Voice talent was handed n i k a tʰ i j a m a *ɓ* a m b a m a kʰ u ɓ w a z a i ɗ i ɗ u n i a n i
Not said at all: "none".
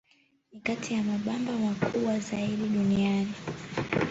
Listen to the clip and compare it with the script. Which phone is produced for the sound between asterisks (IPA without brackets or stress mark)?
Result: ɓ